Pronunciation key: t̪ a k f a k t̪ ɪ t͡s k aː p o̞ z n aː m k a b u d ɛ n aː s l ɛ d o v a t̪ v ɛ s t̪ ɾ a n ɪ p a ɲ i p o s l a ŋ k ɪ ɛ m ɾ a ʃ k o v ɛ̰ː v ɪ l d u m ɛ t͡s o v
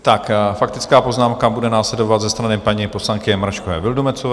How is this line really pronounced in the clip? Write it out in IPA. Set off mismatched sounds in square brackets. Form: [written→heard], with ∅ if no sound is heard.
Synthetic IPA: t̪ a k f a k t̪ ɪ t͡s k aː p o̞ z n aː m k a b u d ɛ n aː s l ɛ d o v a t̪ [v→z] ɛ s t̪ ɾ a n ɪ p a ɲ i p o s l a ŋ k ɪ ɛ m ɾ a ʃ k o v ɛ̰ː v ɪ l d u m ɛ t͡s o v